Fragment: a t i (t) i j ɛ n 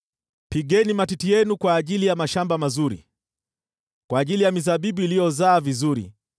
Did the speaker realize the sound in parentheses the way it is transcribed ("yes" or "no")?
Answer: yes